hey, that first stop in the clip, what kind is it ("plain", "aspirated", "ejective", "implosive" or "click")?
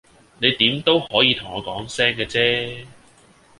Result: plain